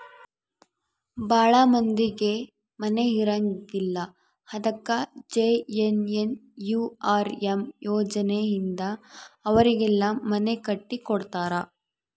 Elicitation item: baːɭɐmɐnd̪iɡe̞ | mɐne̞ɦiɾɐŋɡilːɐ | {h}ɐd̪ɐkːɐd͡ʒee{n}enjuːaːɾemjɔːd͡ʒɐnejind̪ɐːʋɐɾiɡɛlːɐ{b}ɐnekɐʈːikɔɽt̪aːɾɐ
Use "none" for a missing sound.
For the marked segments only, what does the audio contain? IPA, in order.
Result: h, n, m

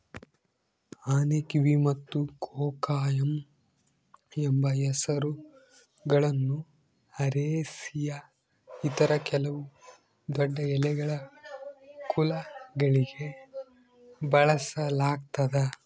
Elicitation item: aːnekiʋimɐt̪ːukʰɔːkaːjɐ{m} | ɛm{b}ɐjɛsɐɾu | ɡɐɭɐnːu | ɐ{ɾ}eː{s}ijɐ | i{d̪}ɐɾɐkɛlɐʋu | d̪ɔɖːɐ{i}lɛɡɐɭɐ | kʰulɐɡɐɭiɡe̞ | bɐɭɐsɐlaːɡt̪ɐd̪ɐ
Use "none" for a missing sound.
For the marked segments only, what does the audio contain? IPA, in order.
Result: m, b, ɾ, s, t̪, ɛ

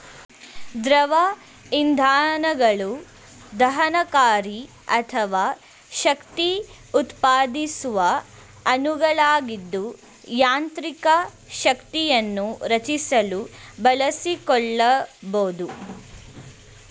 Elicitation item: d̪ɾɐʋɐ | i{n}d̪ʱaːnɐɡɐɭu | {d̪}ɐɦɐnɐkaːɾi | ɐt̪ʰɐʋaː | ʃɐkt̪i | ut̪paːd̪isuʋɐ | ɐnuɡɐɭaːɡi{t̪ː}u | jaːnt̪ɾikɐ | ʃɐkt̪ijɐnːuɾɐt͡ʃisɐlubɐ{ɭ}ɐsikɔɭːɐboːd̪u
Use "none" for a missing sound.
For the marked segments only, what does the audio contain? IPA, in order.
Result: n, d̪, d̪ː, l

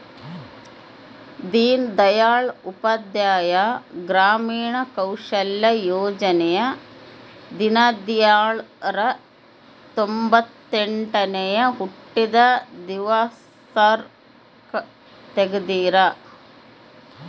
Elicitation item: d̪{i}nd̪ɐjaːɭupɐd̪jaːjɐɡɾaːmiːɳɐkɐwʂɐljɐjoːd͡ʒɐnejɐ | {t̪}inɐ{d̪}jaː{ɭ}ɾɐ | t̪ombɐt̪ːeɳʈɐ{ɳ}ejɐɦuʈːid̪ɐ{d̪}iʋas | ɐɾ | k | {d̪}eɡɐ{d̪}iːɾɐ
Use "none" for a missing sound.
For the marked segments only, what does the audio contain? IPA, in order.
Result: iː, d̪, d̪, ɭ, n, d̪, t̪, d̪

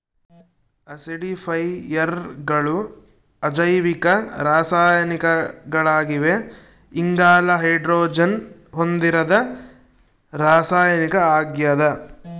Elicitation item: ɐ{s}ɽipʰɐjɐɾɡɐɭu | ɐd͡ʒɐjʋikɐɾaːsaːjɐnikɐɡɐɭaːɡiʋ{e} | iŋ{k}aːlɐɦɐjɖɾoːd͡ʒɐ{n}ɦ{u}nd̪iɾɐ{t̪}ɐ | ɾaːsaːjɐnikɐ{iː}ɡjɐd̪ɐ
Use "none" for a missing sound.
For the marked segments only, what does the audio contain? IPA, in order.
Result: s, e, ɡ, n, o, d̪, aː

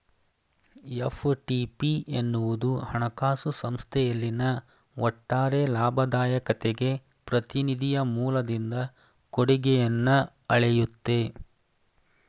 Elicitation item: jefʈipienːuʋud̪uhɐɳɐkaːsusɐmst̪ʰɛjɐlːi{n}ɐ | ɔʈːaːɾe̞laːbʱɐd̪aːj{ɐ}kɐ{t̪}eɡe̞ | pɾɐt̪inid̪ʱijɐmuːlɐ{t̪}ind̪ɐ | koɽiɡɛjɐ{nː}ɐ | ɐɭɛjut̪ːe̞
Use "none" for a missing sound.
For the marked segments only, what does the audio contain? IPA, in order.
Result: n, ɐ, t̪, d̪, nː

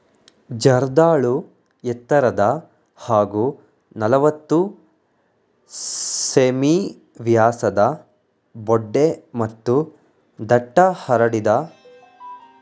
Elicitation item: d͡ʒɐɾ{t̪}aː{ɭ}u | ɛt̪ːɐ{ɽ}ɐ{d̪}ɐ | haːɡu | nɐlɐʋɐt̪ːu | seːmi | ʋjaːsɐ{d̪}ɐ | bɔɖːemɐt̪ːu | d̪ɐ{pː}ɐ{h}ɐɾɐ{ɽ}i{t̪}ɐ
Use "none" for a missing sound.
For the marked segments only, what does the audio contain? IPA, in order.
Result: d̪, ɭ, ɾ, d̪, d̪, ʈː, h, ɽ, d̪

